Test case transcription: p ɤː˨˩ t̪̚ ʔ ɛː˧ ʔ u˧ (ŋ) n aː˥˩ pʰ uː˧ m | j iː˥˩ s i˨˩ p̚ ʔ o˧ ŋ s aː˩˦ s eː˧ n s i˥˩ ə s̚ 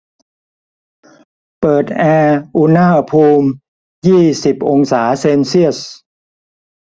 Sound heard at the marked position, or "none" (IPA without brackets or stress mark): none